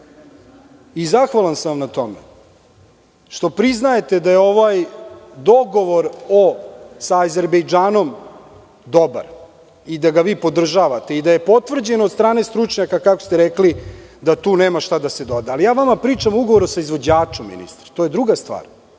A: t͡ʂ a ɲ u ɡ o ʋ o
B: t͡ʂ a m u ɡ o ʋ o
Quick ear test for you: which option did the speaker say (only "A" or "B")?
B